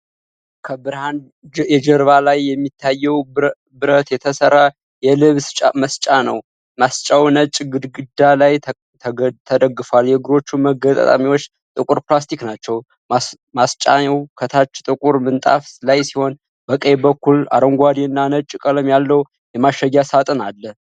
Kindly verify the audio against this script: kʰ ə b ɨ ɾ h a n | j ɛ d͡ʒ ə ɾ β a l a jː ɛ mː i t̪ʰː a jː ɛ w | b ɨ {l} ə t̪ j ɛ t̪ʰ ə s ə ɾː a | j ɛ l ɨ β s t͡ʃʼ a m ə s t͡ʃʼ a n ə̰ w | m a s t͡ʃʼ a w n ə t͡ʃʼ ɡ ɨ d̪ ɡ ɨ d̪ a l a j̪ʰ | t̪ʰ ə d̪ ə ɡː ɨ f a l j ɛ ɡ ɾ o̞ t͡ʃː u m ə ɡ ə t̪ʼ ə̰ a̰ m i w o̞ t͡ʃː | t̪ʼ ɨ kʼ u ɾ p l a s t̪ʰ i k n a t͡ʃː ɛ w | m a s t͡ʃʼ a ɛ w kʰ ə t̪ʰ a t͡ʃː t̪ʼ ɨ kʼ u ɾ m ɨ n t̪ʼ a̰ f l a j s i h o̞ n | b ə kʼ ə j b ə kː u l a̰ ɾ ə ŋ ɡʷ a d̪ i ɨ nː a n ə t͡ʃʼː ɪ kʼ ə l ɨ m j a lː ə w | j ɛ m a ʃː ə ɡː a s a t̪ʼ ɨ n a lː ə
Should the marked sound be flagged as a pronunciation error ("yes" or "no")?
yes